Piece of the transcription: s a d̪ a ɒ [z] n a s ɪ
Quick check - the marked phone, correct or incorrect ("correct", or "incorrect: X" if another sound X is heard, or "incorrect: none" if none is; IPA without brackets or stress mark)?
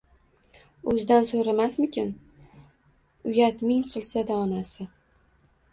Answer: incorrect: none